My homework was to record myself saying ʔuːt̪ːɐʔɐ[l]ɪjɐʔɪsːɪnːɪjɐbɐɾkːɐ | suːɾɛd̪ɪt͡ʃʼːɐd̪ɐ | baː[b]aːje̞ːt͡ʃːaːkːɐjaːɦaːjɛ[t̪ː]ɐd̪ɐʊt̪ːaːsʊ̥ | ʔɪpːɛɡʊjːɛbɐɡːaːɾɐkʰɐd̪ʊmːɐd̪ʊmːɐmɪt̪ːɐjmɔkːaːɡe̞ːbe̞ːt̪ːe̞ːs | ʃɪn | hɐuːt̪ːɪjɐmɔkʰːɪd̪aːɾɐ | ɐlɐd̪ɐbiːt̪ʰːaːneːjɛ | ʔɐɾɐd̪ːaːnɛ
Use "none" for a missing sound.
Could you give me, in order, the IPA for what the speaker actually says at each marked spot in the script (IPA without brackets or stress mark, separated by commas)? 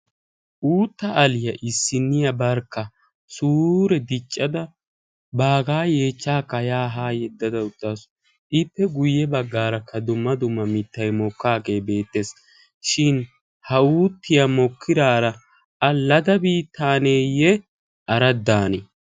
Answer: l, ɡ, d̪ː